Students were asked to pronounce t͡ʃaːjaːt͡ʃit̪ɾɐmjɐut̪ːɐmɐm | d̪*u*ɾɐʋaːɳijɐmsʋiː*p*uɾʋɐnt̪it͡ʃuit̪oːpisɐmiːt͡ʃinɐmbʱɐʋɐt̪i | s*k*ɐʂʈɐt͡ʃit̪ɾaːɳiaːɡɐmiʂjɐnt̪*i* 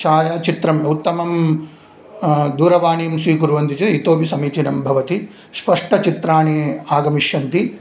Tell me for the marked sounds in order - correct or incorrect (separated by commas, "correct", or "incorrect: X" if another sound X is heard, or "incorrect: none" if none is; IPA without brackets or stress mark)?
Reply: incorrect: uː, incorrect: k, incorrect: p, correct